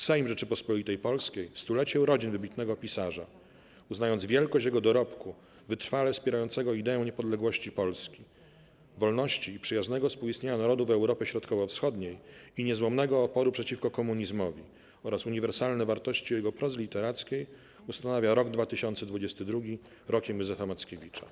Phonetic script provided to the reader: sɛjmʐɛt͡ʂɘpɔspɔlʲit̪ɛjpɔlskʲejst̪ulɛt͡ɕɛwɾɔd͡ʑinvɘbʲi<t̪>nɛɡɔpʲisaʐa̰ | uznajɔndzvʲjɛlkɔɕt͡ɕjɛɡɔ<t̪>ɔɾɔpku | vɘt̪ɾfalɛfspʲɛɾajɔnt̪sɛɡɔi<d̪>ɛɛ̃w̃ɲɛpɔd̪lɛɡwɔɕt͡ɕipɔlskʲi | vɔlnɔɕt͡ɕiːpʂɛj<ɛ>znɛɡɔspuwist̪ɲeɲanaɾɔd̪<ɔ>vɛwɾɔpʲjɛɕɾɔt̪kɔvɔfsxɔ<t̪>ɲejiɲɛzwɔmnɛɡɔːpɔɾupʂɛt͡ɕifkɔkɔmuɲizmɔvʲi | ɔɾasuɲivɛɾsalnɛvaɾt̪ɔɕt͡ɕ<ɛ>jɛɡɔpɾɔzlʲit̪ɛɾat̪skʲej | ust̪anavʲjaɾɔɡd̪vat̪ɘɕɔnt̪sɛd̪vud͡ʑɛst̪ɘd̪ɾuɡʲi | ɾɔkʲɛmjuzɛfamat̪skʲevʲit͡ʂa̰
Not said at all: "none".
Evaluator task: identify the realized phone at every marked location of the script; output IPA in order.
t̪, d̪, d̪, a, u, d̪, i

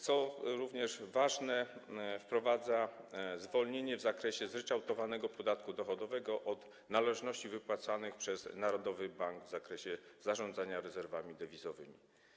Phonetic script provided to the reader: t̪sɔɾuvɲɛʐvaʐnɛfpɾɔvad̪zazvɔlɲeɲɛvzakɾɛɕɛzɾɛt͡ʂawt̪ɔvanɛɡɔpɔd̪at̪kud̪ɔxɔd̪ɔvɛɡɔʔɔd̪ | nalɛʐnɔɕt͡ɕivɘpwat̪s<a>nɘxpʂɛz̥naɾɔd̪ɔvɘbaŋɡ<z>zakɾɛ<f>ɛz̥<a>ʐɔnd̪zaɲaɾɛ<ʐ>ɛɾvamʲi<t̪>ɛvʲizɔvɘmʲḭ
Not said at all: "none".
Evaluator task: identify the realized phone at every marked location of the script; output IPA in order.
a, v, ɕ, a, z, d̪

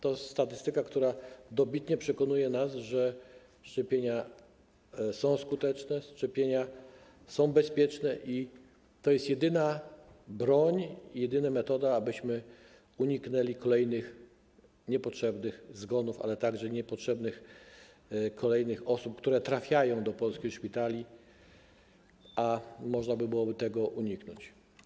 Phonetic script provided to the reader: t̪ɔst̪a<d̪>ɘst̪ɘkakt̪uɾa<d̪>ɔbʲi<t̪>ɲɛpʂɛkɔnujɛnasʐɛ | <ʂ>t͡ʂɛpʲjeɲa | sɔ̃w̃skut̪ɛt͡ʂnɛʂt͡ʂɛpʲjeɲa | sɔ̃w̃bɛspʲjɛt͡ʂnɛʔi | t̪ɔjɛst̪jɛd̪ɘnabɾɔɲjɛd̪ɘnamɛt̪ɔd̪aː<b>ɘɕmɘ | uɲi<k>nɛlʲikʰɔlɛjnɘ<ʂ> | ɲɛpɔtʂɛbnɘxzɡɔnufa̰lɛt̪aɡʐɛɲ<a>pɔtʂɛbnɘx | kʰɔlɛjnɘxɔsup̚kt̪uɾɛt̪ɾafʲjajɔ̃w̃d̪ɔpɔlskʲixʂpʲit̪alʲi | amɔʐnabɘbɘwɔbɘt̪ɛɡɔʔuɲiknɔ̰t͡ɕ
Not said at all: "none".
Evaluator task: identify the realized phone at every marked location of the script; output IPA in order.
t̪, d̪, t̪, ʂ, b, k, x, ɛ

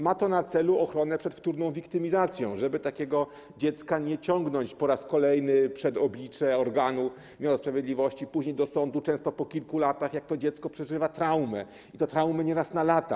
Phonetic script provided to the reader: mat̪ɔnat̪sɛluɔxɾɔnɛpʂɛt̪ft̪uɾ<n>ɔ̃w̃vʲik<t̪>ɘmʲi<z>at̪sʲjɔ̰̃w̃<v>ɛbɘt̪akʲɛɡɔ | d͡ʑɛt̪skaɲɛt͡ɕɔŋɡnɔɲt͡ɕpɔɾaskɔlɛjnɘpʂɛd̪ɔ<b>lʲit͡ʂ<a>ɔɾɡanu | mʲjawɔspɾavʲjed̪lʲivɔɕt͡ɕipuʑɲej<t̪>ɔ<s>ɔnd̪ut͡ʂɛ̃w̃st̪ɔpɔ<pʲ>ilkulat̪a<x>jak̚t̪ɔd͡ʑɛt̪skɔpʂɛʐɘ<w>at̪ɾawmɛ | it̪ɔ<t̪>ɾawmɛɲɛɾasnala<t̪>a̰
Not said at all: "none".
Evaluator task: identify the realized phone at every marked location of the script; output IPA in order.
n, t̪, z, ʐ, b, ɛ, d̪, s, kʲ, x, v, t̪, t̪

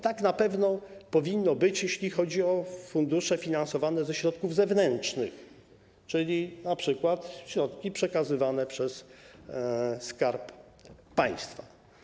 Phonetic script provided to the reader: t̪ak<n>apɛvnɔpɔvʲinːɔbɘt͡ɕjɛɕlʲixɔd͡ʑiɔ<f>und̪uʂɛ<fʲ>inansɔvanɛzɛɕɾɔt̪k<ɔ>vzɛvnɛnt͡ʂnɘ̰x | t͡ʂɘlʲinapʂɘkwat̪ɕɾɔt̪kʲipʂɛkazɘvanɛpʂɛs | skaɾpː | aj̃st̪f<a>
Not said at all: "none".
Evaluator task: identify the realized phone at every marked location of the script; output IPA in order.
n, f, fʲ, u, a

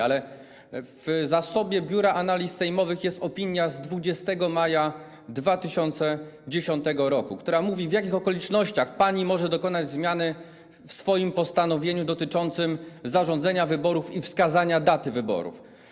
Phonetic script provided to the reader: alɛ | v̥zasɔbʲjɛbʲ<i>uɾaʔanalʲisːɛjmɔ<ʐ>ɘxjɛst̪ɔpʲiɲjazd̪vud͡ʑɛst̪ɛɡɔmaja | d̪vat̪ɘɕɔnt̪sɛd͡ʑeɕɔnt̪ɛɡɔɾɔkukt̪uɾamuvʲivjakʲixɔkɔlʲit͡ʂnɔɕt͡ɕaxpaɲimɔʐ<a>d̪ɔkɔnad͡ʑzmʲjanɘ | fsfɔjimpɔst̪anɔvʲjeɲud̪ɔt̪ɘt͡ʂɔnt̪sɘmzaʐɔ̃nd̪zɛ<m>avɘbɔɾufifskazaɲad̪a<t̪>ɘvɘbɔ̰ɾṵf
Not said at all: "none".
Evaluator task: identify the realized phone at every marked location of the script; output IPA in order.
j, v, ɛ, ɲ, t̪

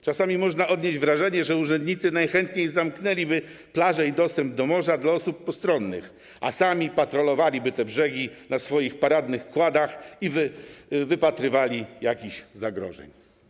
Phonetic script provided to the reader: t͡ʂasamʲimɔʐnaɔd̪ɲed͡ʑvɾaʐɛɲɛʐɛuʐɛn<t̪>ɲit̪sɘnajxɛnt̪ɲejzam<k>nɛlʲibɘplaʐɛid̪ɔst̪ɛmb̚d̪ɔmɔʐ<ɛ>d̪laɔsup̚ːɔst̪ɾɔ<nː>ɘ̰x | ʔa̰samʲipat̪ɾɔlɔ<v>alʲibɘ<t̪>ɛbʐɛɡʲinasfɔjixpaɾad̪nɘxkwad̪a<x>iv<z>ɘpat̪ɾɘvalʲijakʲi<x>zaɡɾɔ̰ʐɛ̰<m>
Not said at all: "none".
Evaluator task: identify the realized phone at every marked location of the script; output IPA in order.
d̪, k, a, nː, v, t̪, x, v, ɕ, ɲ

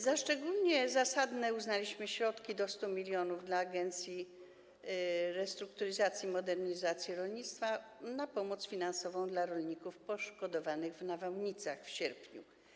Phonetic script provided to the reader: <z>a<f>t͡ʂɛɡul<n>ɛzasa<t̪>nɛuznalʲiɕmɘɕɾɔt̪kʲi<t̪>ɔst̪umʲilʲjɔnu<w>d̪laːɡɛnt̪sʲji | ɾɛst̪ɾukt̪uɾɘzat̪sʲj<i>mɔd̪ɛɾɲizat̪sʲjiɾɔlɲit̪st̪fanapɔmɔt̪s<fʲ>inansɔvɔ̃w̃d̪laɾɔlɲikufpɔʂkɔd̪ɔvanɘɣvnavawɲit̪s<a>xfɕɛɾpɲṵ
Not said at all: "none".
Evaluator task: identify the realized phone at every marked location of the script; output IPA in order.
z, ʂ, ɲ, d̪, d̪, v, i, fʲ, a

